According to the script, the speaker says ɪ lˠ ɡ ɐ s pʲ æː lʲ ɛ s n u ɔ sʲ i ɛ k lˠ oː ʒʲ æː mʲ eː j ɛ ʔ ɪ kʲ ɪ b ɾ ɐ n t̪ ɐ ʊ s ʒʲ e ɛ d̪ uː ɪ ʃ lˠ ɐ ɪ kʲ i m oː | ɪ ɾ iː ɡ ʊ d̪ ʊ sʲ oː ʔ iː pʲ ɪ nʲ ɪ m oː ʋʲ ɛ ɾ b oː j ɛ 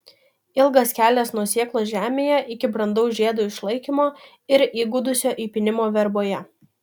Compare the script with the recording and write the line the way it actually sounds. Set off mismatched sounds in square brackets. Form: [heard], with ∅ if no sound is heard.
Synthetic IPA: ɪ lˠ ɡ ɐ s [kʲ] æː lʲ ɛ s n u ɔ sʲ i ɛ k lˠ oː ʒʲ æː mʲ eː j ɛ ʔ ɪ kʲ ɪ b ɾ ɐ n [d̪] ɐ ʊ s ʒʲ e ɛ d̪ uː ɪ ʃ lˠ ɐ ɪ kʲ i m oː | ɪ ɾ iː ɡ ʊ d̪ ʊ sʲ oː ʔ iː pʲ ɪ nʲ ɪ m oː ʋʲ ɛ ɾ b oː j ɛ